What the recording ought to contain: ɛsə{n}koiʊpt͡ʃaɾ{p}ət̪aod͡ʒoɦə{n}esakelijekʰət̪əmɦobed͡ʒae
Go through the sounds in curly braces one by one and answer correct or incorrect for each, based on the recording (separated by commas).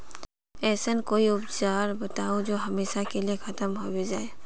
correct, incorrect, incorrect